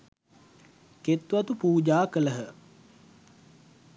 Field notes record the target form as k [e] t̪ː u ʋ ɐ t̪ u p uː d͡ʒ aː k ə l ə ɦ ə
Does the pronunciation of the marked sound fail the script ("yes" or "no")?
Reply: no